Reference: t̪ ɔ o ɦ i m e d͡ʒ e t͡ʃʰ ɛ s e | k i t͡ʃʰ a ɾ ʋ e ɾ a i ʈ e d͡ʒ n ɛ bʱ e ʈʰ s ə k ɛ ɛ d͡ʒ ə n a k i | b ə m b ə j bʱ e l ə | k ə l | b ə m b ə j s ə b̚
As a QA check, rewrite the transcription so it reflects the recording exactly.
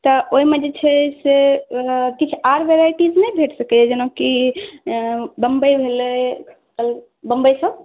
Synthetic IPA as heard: t̪ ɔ o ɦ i m e d͡ʒ e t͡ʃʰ ɛ s e | k i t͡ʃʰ a ɾ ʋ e ɾ a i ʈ i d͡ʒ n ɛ bʱ e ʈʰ s ə k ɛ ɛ d͡ʒ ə n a k i | b ə m b ə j bʱ e l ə | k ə l | b ə m b ə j s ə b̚